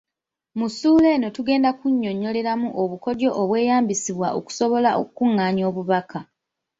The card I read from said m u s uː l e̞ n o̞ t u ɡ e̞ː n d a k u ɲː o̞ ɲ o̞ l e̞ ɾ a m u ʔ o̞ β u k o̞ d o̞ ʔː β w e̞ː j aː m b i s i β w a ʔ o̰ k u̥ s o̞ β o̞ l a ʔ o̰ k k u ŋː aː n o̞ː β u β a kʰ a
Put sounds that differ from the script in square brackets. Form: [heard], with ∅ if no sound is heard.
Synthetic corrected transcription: m u s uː l e̞ n o̞ t u ɡ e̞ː n d a k u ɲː o̞ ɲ o̞ l e̞ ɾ a m u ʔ o̞ β u k o̞ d o̞ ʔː β w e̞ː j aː m b i s i β w a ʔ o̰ k u̥ s o̞ β o̞ l a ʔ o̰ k k u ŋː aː [ɲ] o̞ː β u β a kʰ a